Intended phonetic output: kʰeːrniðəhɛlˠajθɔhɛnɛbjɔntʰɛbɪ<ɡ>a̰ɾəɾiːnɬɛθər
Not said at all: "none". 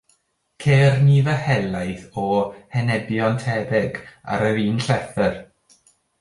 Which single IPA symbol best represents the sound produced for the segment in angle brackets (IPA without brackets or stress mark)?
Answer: ɡ